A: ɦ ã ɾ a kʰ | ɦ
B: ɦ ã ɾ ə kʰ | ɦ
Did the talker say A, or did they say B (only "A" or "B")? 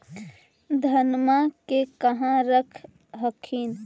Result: B